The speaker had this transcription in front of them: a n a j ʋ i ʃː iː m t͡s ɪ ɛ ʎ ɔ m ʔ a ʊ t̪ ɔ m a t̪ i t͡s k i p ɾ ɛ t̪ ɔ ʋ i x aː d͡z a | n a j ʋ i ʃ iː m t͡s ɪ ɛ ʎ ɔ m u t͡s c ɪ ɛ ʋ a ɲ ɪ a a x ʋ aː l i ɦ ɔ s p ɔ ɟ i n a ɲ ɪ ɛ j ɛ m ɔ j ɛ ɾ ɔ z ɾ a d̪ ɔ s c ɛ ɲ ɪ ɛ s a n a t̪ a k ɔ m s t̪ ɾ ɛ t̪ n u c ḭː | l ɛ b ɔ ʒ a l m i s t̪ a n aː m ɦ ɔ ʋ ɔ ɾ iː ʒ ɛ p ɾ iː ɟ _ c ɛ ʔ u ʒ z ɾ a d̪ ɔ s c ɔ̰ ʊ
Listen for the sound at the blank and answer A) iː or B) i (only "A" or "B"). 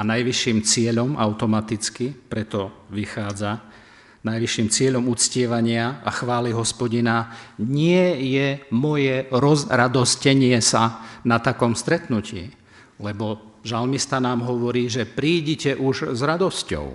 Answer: B